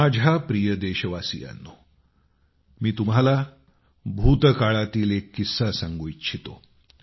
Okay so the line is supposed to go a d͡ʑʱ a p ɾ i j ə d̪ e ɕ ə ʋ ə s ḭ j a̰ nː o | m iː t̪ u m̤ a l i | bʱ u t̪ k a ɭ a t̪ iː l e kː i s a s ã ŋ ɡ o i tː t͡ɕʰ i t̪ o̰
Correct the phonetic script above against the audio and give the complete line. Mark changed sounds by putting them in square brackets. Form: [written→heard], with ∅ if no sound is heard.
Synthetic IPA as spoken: a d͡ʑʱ a p ɾ i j ə d̪ e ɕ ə ʋ [ə→a] s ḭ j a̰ nː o | m iː t̪ u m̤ a l [i→a] | bʱ u t̪ k a ɭ a t̪ iː l e kː i s a s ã ŋ ɡ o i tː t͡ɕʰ i t̪ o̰